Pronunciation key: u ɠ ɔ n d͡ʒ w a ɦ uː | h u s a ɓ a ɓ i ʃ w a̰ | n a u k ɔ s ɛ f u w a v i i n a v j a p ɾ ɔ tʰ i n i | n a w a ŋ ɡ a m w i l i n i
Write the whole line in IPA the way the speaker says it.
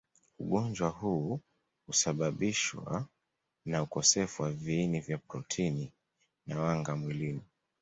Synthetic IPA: u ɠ ɔ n d͡ʒ w a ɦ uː | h u s a ɓ a ɓ i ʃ w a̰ | n a u k ɔ s ɛ f u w a v i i n i v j a p ɾ ɔ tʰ i n i | n a w a ŋ ɡ a m w i l i n i